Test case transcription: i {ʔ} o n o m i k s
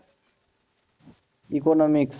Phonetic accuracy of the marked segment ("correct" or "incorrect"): incorrect